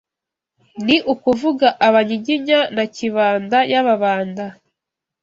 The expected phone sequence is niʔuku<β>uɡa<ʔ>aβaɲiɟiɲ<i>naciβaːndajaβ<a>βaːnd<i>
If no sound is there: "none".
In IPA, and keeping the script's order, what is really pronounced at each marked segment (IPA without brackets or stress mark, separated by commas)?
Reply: v, ʔ, a, a, a